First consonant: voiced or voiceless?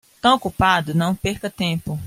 voiceless